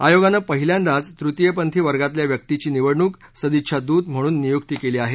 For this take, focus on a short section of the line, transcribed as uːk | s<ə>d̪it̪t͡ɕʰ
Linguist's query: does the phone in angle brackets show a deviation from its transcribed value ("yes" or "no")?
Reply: no